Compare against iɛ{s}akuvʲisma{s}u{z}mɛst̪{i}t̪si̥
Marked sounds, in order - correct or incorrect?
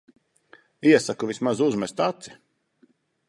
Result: correct, incorrect: z, correct, incorrect: a

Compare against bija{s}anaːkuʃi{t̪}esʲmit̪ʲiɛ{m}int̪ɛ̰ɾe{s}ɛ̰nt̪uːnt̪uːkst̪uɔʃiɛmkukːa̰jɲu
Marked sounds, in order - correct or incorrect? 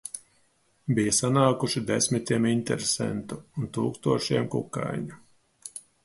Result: correct, incorrect: d̪, correct, correct

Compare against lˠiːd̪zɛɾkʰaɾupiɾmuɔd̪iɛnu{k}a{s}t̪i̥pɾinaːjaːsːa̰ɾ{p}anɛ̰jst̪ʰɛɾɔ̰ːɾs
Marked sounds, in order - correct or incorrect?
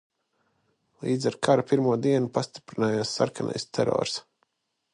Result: incorrect: p, correct, incorrect: k

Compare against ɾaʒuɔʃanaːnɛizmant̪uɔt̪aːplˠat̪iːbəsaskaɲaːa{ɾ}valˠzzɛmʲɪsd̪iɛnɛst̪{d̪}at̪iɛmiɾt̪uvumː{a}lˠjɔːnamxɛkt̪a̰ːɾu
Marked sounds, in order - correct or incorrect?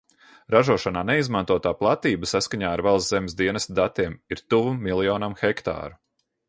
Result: correct, correct, incorrect: i

